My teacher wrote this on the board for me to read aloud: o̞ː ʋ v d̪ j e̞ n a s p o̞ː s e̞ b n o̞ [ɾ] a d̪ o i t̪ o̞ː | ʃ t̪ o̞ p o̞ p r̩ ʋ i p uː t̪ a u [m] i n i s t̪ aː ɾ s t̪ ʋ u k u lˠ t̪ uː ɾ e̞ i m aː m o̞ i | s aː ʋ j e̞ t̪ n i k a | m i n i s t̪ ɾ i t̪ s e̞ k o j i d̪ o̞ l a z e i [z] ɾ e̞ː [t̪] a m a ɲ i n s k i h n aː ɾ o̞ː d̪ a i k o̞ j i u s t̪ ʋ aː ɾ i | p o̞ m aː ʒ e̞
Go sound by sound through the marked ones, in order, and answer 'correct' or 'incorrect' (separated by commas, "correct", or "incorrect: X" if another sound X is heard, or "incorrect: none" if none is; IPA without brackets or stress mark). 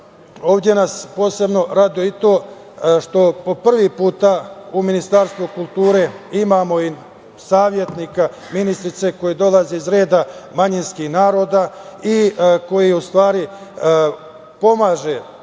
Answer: correct, correct, correct, incorrect: d̪